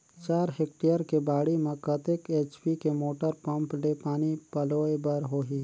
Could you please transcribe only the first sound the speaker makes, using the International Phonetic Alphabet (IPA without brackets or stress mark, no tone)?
t͡ʃ